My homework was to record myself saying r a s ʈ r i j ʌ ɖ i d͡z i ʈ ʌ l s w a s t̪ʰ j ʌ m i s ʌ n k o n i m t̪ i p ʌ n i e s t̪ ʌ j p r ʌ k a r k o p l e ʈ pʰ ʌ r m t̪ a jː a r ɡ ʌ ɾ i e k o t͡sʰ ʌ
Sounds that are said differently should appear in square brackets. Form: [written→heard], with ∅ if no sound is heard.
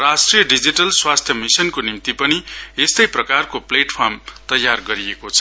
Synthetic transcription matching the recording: r a s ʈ r i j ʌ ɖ i d͡z i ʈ ʌ l s w a s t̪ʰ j ʌ m i s ʌ n k o n i m t̪ i p ʌ n i e s t̪ ʌ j p r ʌ k a r k o p l e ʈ pʰ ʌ r m t̪ [a→ʌ] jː a r ɡ ʌ ɾ i e k o t͡sʰ ʌ